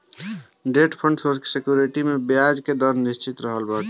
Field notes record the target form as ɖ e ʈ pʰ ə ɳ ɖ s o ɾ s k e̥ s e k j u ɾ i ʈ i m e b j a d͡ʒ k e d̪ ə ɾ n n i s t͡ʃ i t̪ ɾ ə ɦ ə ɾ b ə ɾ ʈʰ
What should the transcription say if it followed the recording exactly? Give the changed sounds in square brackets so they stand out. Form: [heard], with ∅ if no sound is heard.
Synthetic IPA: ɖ e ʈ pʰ ə ɳ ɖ s o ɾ s k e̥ s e k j u ɾ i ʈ i m e b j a d͡ʒ k e d̪ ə ɾ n n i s t͡ʃ i t̪ ɾ ə ɦ ə [l] b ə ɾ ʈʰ